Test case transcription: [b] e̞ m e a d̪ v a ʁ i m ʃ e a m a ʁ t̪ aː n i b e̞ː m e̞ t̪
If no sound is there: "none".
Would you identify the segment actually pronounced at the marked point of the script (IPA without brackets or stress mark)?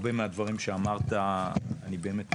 b